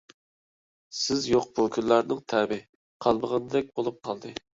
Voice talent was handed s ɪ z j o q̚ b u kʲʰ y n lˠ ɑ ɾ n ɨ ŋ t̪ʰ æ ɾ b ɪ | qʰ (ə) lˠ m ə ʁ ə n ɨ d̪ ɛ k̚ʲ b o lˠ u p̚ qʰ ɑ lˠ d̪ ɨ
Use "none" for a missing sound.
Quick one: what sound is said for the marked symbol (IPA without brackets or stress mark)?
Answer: ɑ